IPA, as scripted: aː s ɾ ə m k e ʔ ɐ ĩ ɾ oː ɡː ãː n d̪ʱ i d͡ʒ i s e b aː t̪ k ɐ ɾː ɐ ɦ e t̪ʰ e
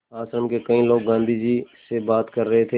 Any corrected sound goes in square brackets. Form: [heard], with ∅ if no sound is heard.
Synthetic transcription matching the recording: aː s ɾ ə m k e [k] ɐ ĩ [l] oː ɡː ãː n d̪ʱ i d͡ʒ i s e b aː t̪ k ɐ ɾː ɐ ɦ e t̪ʰ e